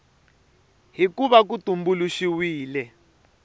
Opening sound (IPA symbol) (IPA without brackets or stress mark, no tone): ɦ